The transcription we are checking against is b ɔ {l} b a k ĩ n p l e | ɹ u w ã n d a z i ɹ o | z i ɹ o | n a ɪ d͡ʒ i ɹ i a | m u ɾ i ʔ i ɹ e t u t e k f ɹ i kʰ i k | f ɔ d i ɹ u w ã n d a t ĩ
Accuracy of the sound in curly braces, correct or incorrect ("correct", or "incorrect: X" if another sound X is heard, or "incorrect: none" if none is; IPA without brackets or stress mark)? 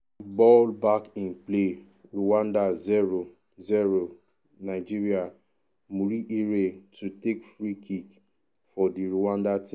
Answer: correct